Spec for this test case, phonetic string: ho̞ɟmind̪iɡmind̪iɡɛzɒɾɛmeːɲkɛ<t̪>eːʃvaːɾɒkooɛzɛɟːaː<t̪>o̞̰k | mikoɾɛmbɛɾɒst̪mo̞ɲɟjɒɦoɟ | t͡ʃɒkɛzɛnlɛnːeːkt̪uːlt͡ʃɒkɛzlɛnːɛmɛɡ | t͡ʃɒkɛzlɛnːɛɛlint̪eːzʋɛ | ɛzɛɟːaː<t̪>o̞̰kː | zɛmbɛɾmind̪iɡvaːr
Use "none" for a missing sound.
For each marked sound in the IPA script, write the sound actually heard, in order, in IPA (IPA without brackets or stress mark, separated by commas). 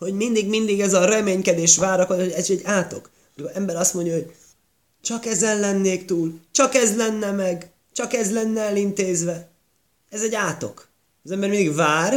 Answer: d̪, t̪, t̪